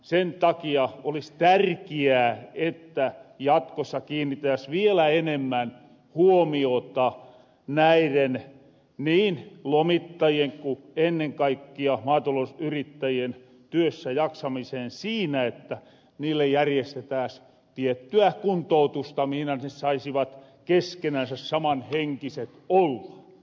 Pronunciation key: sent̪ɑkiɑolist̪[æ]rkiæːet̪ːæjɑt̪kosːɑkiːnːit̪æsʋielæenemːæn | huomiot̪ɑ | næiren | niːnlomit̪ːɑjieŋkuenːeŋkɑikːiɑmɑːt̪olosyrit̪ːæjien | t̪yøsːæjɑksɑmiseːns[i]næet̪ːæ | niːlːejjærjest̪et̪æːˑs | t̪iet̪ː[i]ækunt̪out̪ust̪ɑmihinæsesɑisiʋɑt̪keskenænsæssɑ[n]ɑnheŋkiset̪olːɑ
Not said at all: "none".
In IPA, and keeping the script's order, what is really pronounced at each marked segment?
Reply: æ, iː, y, m

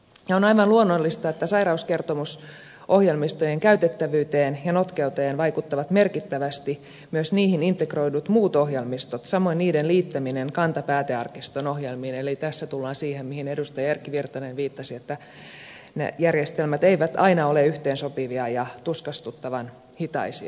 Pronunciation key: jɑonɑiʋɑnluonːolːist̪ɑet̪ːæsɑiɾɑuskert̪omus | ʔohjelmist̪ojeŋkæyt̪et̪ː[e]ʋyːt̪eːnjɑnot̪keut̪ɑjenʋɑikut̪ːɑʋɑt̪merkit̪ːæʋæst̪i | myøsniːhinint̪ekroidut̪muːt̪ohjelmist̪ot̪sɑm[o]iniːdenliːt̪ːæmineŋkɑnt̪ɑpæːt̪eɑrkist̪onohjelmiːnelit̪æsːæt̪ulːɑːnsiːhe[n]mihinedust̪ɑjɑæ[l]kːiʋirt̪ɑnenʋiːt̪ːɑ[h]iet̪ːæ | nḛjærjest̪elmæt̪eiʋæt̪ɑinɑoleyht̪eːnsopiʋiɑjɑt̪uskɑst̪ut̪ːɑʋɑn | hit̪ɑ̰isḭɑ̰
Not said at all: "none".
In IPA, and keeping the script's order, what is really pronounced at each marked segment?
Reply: æ, o, m, r, s

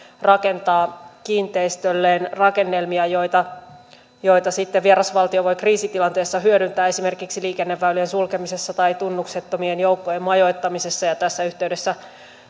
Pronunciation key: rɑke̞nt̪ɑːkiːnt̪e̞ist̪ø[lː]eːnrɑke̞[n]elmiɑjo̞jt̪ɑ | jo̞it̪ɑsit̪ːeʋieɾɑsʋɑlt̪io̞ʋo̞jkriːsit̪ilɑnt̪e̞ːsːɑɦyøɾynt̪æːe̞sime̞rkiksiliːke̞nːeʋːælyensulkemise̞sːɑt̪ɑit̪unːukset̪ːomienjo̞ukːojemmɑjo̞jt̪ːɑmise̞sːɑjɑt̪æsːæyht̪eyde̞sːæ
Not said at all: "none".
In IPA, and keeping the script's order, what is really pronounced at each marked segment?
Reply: lː, nː

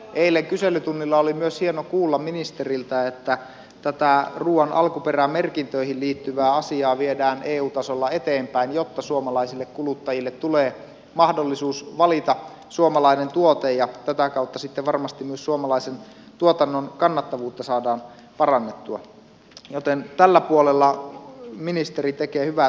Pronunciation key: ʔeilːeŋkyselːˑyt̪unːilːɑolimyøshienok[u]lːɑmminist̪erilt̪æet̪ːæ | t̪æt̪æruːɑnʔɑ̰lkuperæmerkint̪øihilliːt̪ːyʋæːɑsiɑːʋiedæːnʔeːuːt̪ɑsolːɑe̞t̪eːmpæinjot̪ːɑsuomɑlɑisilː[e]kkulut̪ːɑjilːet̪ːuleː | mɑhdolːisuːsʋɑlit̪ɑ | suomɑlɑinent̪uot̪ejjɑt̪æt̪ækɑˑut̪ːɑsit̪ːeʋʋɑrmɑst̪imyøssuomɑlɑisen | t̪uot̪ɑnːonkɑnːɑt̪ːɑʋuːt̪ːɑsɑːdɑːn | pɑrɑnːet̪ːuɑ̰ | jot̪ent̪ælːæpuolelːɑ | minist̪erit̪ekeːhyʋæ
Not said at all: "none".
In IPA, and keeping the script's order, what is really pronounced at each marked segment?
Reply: uː, e

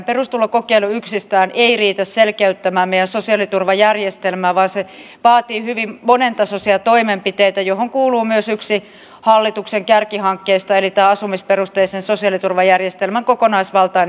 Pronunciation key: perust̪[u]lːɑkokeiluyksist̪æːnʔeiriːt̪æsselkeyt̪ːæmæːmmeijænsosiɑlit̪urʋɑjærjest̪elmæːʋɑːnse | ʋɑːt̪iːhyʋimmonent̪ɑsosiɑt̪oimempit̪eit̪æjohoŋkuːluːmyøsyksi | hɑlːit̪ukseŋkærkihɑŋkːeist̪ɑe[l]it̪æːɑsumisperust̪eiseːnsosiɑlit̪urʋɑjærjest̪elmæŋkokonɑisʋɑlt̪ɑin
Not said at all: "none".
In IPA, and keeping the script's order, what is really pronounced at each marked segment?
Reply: u, l

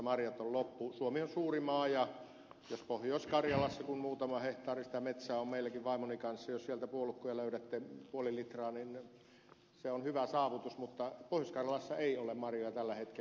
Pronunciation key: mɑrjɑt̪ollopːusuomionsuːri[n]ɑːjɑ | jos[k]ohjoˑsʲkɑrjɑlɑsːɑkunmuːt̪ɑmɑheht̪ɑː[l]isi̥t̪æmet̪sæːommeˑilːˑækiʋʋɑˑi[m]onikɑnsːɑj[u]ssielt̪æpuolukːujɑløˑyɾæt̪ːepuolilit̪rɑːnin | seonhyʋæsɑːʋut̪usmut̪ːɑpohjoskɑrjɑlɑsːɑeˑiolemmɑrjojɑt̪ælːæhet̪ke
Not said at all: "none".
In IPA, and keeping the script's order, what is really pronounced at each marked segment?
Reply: m, p, r, m, o

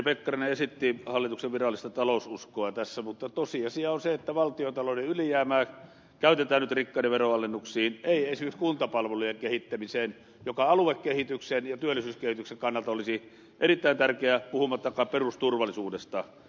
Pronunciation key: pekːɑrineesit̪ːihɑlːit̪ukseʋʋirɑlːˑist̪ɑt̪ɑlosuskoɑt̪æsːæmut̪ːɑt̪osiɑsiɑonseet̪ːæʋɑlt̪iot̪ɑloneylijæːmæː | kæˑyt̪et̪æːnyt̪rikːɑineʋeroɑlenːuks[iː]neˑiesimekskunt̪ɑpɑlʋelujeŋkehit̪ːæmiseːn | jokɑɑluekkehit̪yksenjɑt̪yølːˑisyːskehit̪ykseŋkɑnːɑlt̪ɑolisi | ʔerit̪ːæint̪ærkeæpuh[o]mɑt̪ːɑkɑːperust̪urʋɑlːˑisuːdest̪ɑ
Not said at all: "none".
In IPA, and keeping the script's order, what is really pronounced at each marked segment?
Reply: iː, u

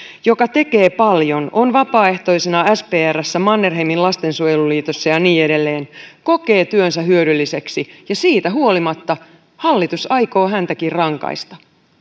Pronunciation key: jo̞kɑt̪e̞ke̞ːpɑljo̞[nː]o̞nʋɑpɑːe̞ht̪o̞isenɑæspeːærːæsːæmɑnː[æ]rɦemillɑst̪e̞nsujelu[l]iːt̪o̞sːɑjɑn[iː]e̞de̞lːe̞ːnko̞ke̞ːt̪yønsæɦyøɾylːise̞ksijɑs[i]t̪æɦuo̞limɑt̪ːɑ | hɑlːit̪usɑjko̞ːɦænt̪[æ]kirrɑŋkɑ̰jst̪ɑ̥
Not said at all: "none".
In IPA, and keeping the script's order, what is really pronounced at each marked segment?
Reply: n, e, l, iː, iː, æ

